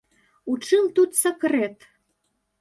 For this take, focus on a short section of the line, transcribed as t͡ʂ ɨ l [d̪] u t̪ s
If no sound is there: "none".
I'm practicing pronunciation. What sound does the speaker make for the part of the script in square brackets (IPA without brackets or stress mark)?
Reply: t̪